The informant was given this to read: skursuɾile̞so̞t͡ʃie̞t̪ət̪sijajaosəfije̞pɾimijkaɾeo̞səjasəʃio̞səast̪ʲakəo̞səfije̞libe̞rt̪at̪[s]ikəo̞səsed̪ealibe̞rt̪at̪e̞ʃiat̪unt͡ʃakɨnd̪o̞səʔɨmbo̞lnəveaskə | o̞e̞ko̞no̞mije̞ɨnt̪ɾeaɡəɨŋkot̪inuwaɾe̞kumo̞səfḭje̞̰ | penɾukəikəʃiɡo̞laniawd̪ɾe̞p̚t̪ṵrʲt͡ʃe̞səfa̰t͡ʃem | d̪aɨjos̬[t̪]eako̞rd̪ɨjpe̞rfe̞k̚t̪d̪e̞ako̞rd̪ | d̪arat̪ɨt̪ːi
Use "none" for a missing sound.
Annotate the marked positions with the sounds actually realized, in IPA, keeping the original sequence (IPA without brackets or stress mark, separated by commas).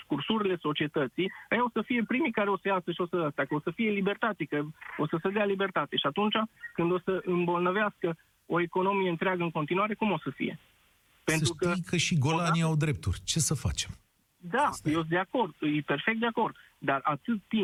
s, d̪